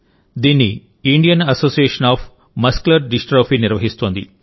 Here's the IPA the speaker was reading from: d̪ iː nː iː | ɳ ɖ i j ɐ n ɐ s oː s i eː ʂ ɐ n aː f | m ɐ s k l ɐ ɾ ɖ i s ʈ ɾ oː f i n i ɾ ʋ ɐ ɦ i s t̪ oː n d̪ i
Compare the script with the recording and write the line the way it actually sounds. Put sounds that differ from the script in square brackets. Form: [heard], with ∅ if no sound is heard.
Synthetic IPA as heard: d̪ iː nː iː | ɳ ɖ i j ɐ n ɐ s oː s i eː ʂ ɐ n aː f | m ɐ s k l ɐ ɾ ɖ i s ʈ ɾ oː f i n i ɾ ʋ ɐ ɦ i s t̪ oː n d̪ i